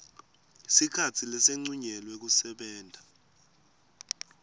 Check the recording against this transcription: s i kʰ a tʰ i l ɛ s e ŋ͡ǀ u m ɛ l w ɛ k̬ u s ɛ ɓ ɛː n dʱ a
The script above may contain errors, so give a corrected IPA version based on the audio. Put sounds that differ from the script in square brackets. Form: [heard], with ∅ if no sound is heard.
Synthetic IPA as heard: s i kʰ a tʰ i l ɛ s e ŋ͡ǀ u [ɲ] ɛ l w ɛ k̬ u s ɛ ɓ ɛː n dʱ a